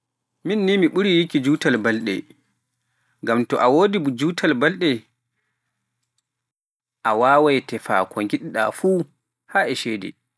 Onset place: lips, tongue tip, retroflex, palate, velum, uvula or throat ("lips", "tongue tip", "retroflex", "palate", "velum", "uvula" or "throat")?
lips